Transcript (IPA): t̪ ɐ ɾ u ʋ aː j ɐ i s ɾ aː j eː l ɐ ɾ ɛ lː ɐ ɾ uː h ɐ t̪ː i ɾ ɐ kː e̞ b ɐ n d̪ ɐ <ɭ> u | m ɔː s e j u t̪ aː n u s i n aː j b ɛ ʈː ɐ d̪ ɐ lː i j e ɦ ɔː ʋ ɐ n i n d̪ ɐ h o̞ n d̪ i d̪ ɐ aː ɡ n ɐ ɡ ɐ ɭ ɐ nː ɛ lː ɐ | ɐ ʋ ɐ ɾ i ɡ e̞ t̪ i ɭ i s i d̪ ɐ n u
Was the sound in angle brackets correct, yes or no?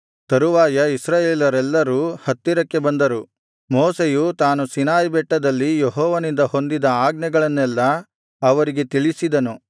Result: no